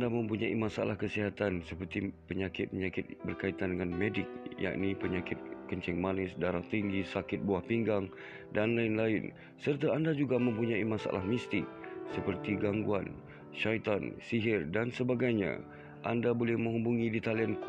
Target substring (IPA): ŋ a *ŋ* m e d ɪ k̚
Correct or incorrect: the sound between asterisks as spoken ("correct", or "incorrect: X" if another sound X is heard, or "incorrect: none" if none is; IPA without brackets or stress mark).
incorrect: n